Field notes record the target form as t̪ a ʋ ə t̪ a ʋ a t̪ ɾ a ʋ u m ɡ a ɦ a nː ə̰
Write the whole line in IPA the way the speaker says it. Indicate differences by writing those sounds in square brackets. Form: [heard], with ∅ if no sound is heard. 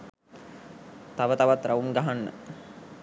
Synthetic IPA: t̪ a ʋ ə t̪ a ʋ a t̪ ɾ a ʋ u m ɡ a ɦ a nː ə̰